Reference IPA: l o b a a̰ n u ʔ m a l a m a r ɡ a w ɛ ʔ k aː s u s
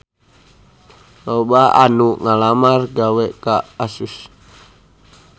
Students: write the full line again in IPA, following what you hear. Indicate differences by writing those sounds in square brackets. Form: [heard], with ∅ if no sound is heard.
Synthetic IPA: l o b a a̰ n u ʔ [ŋ] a l a m a r ɡ a w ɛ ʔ k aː s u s